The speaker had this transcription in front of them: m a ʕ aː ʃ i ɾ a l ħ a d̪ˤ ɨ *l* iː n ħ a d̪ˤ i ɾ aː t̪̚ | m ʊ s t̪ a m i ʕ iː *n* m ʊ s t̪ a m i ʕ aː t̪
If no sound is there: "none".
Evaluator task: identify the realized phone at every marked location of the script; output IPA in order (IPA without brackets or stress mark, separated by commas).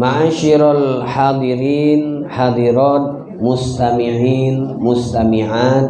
ɾ, n